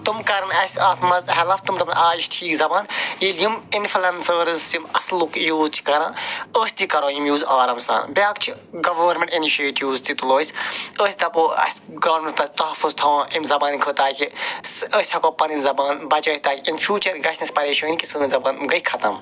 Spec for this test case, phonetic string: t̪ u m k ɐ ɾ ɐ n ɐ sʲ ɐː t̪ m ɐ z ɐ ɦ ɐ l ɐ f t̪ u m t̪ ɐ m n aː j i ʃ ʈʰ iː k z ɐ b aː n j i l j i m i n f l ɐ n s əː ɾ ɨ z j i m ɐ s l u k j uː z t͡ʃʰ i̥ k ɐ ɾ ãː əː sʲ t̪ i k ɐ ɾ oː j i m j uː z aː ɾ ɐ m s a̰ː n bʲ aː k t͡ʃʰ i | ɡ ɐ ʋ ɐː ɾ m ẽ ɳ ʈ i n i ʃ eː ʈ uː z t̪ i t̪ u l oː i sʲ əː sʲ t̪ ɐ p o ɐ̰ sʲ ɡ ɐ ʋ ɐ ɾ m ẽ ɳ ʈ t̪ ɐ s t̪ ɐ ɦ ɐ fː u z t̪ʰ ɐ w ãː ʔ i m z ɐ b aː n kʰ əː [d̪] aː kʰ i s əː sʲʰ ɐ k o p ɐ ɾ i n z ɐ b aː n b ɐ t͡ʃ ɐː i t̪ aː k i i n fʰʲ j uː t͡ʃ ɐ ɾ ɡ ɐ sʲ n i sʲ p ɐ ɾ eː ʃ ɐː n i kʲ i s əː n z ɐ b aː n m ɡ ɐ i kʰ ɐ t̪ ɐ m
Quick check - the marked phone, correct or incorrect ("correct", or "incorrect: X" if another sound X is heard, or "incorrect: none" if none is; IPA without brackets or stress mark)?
incorrect: t̪